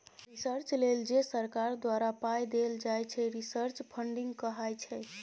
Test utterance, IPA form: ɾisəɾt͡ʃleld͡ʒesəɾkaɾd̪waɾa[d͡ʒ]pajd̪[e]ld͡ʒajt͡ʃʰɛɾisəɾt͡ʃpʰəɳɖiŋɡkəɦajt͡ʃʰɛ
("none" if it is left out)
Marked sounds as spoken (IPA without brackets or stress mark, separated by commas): none, e